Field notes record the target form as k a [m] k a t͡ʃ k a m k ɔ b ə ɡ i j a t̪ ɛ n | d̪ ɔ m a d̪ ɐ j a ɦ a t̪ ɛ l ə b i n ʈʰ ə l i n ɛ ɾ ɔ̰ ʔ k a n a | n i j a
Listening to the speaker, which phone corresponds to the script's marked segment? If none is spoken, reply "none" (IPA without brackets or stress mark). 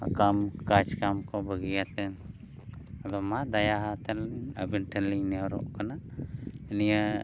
m